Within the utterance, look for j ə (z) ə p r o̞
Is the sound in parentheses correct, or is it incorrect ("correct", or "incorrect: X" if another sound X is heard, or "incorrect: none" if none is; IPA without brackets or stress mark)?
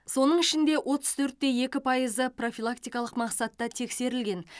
correct